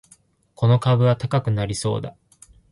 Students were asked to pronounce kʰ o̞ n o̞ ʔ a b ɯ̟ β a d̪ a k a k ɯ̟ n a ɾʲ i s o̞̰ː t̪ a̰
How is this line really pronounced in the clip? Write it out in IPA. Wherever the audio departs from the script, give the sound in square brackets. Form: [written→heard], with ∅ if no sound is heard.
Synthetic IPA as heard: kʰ o̞ n o̞ [ʔ→k] a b ɯ̟ β a [d̪→t̪] a k a k ɯ̟ n a ɾʲ i s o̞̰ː [t̪→d̪] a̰